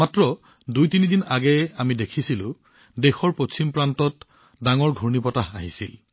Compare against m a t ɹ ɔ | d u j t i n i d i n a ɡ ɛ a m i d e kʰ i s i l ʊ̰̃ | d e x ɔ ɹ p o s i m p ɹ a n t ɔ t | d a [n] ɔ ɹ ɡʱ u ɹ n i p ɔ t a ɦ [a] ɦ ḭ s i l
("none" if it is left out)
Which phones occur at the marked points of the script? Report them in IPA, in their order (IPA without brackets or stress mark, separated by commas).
ŋ, a